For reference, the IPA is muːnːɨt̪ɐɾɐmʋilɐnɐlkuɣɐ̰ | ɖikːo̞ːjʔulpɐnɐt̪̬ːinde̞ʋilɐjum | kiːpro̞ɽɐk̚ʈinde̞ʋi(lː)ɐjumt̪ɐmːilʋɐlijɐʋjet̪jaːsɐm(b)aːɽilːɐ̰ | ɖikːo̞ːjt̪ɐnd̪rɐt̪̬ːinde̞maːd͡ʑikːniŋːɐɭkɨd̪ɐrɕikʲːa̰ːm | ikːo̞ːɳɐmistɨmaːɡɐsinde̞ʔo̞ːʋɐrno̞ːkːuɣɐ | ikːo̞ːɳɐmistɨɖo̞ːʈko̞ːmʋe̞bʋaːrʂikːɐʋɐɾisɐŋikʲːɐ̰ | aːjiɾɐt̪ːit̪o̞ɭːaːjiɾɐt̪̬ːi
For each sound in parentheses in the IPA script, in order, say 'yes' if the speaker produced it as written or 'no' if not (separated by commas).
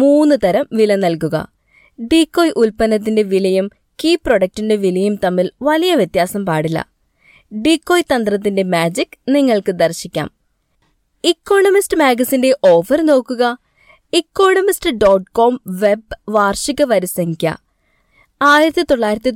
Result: no, no